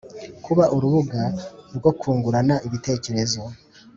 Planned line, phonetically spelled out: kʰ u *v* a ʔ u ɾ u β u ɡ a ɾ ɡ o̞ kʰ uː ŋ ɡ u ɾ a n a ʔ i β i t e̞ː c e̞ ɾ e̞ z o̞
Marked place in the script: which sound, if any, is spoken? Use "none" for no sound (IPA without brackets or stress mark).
β